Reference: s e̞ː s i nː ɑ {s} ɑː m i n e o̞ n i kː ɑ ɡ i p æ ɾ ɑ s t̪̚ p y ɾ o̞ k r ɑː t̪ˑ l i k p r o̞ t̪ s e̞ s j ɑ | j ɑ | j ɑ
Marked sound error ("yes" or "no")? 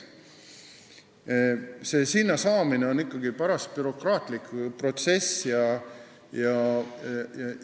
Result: no